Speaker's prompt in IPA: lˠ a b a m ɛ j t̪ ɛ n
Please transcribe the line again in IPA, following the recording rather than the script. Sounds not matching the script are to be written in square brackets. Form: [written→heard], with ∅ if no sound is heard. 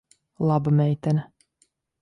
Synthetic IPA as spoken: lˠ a b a m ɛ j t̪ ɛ n